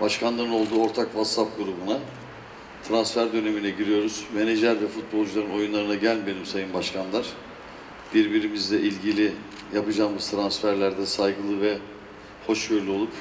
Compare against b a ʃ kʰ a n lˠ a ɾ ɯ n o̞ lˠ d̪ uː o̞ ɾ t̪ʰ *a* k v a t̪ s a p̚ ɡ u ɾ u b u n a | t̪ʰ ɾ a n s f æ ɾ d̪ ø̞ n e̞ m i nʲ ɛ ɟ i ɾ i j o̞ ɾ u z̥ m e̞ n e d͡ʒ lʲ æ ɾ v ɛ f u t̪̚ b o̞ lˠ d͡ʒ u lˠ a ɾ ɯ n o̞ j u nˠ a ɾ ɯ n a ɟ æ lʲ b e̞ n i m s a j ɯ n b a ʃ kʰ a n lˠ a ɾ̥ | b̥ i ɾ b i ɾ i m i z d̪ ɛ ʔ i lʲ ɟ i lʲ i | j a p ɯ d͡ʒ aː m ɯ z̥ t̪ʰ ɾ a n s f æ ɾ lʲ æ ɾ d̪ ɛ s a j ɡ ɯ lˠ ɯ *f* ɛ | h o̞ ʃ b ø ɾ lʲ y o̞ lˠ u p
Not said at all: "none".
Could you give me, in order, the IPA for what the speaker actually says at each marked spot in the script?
a, v

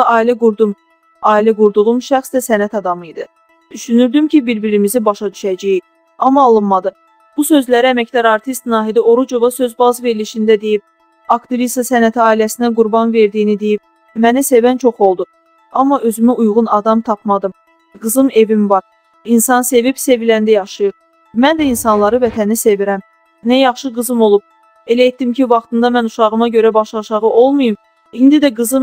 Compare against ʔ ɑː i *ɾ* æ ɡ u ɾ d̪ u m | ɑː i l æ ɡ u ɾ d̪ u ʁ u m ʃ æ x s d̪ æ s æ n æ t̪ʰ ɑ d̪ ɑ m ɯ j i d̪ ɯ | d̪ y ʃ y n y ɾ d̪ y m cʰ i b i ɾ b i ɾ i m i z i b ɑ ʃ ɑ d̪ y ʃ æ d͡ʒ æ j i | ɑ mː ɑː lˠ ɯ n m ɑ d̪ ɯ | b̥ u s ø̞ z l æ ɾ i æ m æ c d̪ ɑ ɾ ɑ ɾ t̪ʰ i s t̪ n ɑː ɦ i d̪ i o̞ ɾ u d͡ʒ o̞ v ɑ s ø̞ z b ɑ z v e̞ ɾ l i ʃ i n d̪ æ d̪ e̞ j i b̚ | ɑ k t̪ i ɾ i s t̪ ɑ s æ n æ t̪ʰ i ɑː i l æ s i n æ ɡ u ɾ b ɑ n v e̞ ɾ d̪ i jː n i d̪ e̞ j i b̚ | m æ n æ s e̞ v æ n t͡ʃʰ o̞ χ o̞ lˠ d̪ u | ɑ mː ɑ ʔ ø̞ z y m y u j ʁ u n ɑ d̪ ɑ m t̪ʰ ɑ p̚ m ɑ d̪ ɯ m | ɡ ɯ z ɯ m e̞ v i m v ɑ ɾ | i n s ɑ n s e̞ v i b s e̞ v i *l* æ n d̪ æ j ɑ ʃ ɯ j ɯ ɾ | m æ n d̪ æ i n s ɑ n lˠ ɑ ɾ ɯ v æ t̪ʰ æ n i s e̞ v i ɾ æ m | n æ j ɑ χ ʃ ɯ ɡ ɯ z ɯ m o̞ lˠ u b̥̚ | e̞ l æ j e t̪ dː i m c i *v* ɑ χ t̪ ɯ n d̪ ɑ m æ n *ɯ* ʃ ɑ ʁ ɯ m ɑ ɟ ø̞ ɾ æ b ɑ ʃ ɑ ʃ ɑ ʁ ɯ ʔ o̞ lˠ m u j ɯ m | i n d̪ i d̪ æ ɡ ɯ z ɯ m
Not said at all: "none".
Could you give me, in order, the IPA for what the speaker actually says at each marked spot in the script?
l, l, v, u

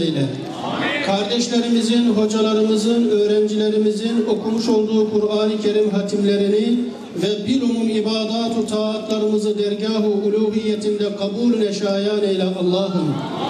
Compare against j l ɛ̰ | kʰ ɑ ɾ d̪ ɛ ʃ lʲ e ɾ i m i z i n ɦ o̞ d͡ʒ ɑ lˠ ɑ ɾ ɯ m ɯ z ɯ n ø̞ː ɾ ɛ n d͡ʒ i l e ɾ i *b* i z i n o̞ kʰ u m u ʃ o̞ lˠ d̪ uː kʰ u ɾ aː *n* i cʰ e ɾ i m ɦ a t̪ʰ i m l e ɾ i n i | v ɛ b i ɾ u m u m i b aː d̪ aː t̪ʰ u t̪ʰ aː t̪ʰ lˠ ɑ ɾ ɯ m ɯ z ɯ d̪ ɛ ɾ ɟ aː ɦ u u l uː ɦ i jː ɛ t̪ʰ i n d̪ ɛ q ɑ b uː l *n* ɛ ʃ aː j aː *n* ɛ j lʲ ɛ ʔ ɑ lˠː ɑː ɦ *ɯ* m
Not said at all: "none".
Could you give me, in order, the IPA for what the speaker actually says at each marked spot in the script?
m, n, n, n, ɯ

